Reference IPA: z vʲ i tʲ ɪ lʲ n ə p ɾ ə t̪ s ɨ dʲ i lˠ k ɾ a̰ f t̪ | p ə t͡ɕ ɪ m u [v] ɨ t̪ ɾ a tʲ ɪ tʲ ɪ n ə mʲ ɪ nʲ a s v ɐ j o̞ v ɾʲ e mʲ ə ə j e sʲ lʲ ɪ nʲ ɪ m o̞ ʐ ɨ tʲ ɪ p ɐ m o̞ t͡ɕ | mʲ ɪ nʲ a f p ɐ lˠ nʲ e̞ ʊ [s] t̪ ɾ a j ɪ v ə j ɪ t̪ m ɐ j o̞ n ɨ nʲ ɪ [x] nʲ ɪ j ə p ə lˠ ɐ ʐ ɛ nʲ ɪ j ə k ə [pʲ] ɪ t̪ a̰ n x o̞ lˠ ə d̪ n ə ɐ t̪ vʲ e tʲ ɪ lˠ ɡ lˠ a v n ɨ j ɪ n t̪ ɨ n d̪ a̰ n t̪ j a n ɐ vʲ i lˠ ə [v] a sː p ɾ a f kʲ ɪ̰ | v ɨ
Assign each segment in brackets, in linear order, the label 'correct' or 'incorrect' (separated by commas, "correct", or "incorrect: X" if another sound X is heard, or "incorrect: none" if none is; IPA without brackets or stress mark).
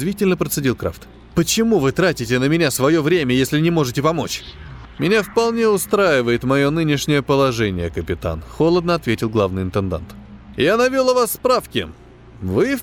correct, correct, incorrect: ʂ, correct, correct